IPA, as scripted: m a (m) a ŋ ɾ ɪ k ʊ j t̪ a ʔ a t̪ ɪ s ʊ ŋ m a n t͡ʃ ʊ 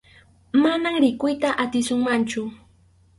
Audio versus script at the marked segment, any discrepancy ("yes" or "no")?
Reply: yes